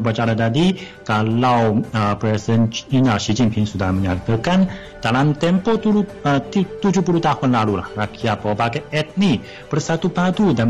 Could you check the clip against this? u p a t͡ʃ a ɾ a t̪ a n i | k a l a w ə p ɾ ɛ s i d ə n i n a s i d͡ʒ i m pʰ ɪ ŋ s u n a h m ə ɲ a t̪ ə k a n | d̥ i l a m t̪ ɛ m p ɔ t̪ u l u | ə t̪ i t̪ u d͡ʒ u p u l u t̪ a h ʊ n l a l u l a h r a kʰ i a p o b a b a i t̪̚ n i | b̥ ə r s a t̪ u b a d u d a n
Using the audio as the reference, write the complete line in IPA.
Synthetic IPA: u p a t͡ʃ a ɾ a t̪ a d i | k a l a w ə p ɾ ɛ s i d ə n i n a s i d͡ʒ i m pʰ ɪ ŋ s u d a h m ə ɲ a t̪ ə k a n | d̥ a l a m t̪ ɛ m p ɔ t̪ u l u | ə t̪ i t̪ u d͡ʒ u p u l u t̪ a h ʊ n l a l u l a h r a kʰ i a p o b a ɡ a ɛ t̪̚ n i | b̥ ə r s a t̪ u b a d u d a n